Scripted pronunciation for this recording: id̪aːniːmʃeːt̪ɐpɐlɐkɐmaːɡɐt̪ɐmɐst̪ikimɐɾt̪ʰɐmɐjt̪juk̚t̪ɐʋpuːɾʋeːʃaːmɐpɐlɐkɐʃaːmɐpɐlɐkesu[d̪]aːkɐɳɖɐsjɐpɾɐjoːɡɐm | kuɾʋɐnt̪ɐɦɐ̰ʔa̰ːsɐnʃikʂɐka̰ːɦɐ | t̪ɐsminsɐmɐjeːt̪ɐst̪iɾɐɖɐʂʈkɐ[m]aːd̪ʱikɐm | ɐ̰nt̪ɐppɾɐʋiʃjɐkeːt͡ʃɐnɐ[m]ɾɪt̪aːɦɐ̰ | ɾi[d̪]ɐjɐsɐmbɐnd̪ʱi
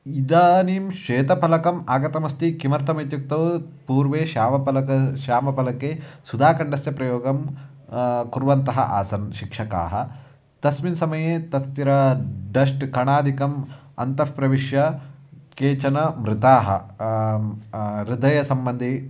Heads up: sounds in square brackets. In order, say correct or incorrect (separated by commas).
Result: correct, incorrect, correct, correct